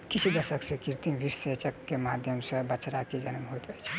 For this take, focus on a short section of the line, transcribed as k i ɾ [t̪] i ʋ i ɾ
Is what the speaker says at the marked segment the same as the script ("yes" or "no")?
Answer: yes